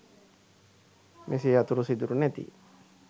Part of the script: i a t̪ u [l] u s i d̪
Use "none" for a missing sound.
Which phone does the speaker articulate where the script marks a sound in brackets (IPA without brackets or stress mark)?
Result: ɾ